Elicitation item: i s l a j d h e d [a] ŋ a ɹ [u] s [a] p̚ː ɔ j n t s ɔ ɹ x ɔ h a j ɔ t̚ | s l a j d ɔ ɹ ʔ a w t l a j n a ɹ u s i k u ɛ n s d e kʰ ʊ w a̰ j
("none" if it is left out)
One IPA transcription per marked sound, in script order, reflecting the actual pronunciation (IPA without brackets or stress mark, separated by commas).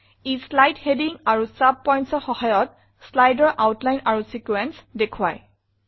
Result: i, u, a